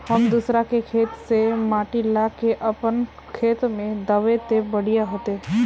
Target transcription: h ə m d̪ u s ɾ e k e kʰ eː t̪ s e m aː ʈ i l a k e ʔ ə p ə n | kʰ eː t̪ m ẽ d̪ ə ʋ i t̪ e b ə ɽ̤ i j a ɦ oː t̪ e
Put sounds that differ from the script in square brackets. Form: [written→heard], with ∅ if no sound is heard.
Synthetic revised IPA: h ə m d̪ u s ɾ [e→a] k e kʰ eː t̪ s e m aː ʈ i l a k e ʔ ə p ə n | kʰ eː t̪ m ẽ d̪ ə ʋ [i→e] t̪ e b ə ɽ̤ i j a ɦ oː t̪ e

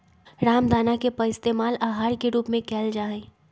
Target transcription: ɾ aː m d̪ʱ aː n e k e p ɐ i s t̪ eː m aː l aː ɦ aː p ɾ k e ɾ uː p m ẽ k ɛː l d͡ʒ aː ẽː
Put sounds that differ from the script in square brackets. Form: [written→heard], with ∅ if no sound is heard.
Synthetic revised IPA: ɾ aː m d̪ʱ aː n [e→a] k e p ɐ [i→ɪ] s t̪ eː m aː l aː ɦ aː [p→∅] ɾ k e ɾ uː p m ẽ k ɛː l d͡ʒ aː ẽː

